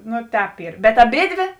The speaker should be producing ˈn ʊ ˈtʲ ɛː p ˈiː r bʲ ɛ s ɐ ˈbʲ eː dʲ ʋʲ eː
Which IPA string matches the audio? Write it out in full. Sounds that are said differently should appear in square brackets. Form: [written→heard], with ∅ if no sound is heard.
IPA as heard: ˈn ʊ ˈtʲ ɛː p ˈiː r bʲ ɛ [s→t] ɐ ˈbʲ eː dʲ ʋʲ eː